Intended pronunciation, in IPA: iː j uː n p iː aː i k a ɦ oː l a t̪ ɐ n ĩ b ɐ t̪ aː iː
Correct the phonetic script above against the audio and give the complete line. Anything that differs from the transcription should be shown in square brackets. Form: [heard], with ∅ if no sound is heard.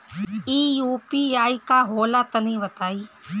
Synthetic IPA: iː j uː [∅] p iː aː i k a ɦ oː l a t̪ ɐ n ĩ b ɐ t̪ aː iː